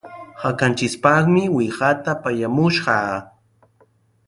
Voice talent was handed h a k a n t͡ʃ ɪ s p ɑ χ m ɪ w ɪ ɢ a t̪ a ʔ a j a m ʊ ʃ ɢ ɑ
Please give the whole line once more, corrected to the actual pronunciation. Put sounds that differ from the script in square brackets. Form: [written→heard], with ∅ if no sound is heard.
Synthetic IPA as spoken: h a k a n t͡ʃ ɪ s p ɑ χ m ɪ w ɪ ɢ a t̪ a [ʔ→p] a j a m ʊ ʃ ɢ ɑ